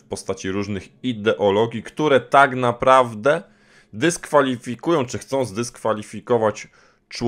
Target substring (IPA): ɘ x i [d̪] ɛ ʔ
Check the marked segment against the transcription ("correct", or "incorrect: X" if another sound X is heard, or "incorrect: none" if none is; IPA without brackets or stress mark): correct